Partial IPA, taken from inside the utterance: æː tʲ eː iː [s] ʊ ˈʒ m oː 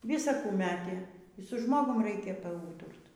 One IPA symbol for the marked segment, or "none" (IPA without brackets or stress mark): s